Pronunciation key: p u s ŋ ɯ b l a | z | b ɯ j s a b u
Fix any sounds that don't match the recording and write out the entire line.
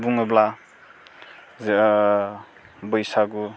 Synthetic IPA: b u ŋ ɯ b l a | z | b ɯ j s a ɡ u